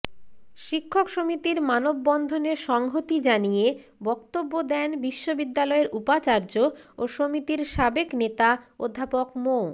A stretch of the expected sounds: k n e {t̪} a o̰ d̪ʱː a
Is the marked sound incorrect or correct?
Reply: correct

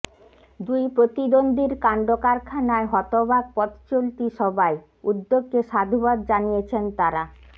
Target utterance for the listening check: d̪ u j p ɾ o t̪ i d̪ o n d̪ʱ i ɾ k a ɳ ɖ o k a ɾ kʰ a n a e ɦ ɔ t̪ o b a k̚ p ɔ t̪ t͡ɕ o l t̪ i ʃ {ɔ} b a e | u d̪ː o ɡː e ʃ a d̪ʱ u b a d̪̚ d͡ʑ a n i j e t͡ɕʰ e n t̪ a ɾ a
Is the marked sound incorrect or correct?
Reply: correct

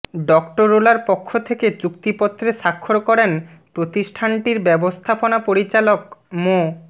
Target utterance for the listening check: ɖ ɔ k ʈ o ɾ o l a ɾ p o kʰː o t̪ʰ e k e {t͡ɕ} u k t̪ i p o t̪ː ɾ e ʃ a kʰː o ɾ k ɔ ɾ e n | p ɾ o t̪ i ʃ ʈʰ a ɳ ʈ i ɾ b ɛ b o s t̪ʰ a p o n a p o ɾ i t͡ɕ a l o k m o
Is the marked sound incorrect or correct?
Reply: correct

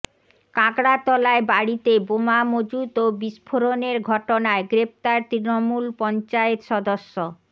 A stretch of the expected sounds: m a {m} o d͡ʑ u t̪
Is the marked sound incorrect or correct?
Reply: correct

